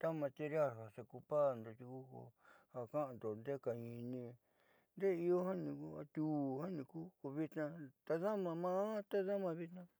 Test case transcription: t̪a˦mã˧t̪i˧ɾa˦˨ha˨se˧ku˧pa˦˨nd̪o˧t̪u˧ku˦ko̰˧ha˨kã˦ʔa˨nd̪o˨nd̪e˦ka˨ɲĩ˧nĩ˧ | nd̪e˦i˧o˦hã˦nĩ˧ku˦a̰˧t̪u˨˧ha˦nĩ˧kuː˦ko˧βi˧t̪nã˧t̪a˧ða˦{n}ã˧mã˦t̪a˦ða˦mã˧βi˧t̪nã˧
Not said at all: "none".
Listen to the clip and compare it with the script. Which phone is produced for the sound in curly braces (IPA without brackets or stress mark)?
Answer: m